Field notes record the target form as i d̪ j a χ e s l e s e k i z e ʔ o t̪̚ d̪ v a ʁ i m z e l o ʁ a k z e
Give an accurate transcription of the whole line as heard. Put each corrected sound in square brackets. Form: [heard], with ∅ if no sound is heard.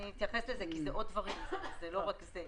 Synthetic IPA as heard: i [t̪] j a [f] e s l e [z] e k i z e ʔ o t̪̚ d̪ v a ʁ i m z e l o ʁ a k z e

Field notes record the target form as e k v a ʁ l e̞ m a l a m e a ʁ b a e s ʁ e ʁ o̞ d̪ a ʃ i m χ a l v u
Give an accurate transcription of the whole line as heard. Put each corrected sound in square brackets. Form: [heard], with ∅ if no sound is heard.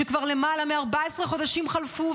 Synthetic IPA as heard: e k v a ʁ l e̞ m a l a m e a ʁ b a e s ʁ e [χ] o̞ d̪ a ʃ i m χ a l [f] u

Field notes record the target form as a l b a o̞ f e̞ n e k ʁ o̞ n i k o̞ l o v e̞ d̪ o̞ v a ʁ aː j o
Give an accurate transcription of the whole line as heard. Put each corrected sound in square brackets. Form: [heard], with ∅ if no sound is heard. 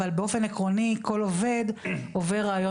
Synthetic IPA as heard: a l b [e] o̞ f e̞ n e k ʁ o̞ n i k o̞ l o v e̞ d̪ o̞ v [e] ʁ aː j o

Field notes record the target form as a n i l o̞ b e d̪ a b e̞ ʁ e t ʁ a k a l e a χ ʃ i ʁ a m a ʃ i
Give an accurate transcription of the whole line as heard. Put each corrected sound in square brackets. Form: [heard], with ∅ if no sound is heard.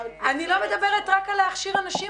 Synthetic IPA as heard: a n i l o̞ [m] e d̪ a b e̞ ʁ e t ʁ a k a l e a χ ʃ i ʁ a [n] a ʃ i

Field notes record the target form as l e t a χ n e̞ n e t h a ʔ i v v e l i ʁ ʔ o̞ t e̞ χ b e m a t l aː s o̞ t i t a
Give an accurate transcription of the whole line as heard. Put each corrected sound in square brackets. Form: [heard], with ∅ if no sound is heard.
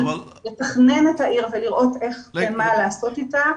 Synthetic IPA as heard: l e t a χ n e̞ n e t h a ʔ i [ʁ] v e l i ʁ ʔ o̞ t e̞ χ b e m a [∅] l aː s o̞ t i t a

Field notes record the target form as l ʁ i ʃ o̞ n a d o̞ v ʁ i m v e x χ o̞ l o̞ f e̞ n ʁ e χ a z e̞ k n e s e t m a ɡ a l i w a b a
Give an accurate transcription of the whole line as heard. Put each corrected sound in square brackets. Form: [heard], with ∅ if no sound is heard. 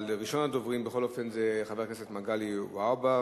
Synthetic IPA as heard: l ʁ i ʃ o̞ n a d o̞ v ʁ i m [b] e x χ o̞ l o̞ f e̞ n [z] e χ a [v] e̞ k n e s e t m a ɡ a l i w a b a

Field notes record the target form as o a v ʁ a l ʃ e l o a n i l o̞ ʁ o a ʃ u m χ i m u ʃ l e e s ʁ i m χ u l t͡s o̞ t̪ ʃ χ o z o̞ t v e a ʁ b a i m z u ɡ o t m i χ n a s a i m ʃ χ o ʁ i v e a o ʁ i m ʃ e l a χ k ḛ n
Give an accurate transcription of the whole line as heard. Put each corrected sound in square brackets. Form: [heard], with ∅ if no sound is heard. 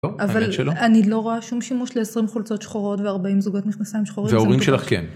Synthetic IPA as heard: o a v [v] a l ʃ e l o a n i l o̞ ʁ o a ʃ u m [ʃ] i m u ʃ l e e s ʁ i m χ u l t͡s o̞ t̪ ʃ χ o [ʁ] o̞ t v e a ʁ b a i m z u ɡ o t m i χ n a s a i m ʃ χ o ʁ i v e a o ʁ i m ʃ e l a χ k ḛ n

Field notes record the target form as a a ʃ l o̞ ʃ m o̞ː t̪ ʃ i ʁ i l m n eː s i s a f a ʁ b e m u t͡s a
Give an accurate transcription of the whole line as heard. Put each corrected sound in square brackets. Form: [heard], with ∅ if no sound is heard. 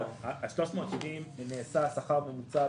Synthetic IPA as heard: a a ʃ l o̞ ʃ m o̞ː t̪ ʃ i [v] i [∅] m n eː s [a] s a [χ] a ʁ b e m u t͡s a

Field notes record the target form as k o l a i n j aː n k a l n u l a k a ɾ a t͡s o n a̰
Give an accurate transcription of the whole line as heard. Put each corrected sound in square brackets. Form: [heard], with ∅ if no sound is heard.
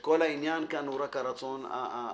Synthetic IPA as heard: k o l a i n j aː n k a [∅] n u [ɾ] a k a ɾ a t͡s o n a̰

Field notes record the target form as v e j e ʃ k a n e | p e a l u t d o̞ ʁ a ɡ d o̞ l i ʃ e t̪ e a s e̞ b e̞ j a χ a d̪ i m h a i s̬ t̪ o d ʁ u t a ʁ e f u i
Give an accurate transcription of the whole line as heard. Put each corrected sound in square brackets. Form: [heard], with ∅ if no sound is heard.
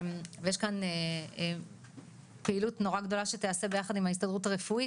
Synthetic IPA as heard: v e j e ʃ k a n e | p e [i] l u t [n] o̞ ʁ a ɡ d o̞ l [a] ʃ e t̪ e a s e̞ b e̞ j a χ a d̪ i m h a i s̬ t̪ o d ʁ u t a ʁ e f u i

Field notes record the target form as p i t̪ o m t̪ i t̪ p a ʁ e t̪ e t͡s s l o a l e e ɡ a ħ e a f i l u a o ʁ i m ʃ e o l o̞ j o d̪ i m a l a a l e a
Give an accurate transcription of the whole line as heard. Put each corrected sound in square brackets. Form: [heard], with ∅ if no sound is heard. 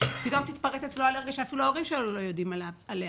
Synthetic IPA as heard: p i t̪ o m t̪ i t̪ p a ʁ e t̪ e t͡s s l o a l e e ɡ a [ʃ] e a f i l u a o ʁ i m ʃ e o l o̞ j o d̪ i m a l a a l e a

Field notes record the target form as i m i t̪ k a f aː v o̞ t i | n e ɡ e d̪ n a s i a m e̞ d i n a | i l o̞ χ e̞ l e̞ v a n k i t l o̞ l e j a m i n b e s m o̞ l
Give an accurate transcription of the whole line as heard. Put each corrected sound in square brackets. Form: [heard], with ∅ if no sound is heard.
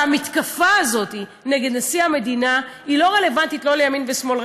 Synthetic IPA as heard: [a] m i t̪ k a f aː [z] o̞ t i | n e ɡ e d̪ n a s i a m e̞ d i n a | i l o̞ [ʁ] e̞ l e̞ v a n [t] i t l o̞ l e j a m i n [v] e s m o̞ l

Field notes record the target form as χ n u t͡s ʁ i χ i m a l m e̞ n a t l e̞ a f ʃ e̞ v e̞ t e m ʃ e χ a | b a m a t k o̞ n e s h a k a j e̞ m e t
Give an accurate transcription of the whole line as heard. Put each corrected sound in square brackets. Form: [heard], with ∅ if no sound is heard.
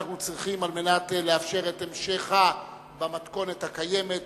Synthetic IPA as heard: χ n u t͡s ʁ i χ i m a l m e̞ n a t l e̞ a f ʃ e̞ [ʁ] e̞ t e m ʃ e χ a | b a m a t k o̞ n e [t] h a k a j e̞ m e t

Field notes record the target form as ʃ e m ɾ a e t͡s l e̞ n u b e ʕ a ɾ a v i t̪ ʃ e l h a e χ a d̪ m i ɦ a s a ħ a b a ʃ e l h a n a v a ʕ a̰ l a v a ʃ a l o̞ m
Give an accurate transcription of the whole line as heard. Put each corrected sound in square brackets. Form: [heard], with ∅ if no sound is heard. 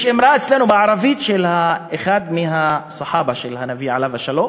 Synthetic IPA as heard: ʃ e m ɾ a e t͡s l e̞ n u b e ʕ a ɾ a v i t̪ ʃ e l h a e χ a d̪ m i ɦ a s a ħ a b a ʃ e l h a n a v [i] ʕ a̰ l a v a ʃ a l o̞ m

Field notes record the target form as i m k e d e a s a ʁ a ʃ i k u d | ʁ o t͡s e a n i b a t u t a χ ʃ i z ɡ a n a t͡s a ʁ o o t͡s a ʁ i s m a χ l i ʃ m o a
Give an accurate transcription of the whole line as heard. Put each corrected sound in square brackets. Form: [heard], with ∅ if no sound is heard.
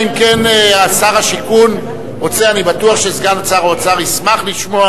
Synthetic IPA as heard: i m k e [n] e a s a ʁ a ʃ i k u [n] | ʁ o t͡s e a n i b a t u [∅] a χ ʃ [e] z ɡ a n a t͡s a ʁ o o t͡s a ʁ i s m a χ l i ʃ m o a

